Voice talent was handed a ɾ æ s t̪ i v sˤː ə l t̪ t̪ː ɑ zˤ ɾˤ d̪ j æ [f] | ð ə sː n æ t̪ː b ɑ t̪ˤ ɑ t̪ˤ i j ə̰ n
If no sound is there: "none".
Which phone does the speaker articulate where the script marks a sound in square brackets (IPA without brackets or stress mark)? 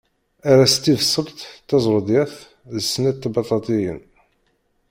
θ